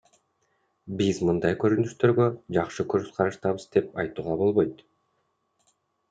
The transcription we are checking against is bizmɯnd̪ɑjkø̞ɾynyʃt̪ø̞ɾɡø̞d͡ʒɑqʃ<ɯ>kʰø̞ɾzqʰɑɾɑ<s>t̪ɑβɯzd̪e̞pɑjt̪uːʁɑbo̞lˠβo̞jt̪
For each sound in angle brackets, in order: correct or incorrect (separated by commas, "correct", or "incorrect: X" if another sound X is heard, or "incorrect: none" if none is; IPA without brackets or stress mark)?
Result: correct, incorrect: ʃ